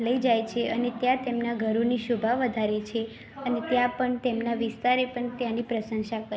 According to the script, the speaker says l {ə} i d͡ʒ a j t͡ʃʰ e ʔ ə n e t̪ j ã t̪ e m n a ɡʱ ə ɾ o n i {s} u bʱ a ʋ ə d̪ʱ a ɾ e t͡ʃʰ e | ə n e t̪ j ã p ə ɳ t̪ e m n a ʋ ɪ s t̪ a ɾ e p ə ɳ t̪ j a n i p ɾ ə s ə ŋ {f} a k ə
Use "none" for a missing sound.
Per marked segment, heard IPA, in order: ə, ʃ, ʃ

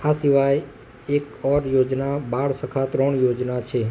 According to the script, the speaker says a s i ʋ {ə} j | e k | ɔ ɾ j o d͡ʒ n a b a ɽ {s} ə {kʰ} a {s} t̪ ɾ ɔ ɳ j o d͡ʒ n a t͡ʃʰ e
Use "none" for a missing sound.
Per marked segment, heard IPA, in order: a, s, kʰ, none

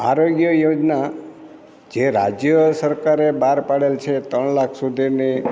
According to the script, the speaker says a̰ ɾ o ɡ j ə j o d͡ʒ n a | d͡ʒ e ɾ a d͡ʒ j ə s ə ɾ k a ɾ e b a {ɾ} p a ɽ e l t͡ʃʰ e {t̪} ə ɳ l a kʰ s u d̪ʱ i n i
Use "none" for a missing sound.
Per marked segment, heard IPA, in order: ɾ, t̪

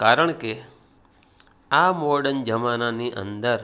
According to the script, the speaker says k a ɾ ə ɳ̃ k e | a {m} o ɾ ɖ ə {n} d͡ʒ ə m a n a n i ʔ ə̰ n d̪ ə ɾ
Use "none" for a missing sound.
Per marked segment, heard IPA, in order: m, n

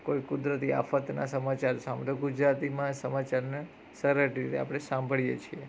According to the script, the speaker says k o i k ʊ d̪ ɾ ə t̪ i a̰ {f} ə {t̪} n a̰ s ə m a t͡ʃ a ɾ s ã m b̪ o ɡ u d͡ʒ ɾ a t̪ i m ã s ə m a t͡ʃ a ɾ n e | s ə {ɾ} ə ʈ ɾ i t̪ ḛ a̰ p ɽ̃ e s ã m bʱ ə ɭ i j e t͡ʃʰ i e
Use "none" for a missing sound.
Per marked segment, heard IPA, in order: f, t̪, ɾ

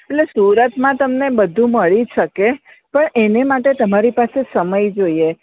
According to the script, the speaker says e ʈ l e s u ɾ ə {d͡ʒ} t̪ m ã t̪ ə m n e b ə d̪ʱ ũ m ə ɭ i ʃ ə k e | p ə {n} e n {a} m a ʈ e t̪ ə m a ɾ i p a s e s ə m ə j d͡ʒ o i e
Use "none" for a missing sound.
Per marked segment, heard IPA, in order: none, ɳ, e

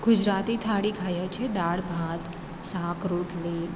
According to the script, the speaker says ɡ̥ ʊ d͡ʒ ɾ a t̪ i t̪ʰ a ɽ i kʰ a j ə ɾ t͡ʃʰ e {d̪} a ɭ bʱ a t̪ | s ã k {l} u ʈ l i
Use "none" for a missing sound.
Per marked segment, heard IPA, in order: d̪, ɾ

